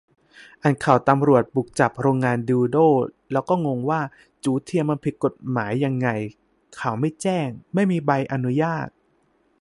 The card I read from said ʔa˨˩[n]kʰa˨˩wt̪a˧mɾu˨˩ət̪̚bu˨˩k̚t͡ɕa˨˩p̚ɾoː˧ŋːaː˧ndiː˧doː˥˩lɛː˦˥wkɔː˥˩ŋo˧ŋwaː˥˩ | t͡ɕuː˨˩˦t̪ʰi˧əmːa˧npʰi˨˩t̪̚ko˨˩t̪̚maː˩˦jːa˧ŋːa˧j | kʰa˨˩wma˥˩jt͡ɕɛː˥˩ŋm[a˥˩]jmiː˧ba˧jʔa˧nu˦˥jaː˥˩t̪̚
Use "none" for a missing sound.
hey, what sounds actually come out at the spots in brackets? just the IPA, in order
n, a˥˩

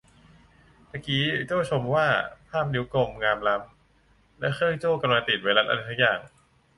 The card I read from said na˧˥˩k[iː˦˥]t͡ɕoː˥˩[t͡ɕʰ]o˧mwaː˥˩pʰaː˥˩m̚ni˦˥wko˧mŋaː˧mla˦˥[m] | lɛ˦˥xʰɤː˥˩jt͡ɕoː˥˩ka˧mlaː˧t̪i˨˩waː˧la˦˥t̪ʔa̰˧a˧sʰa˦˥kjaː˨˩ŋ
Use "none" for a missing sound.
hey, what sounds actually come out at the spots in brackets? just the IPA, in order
iː˦˥, t͡ɕʰ, m

